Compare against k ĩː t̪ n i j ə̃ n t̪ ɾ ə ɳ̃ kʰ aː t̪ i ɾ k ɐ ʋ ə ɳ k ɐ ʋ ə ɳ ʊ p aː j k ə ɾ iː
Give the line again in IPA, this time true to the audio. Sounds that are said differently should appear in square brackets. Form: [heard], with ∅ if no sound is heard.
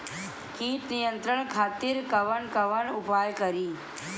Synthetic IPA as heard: k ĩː t̪ n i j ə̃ n t̪ ɾ ə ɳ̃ kʰ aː t̪ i ɾ k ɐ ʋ ə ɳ k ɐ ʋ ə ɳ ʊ p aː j k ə ɾ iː